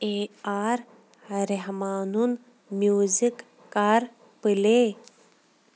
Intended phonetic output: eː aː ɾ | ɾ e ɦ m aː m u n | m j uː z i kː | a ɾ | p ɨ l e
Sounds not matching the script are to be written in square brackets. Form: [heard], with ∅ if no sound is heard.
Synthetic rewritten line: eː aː ɾ | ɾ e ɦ m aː [n] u n | m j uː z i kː | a ɾ | p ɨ l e